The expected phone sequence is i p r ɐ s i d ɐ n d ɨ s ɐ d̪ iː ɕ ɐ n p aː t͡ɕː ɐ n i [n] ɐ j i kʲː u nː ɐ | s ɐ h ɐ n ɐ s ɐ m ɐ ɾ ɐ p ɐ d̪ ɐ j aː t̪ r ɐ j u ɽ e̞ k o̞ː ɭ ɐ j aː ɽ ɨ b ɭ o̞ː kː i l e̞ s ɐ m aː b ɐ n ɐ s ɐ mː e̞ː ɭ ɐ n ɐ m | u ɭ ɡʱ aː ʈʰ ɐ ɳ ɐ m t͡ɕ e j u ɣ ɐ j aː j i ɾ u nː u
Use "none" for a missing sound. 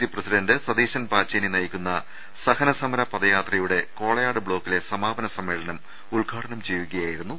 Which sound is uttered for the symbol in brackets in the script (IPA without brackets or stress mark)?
n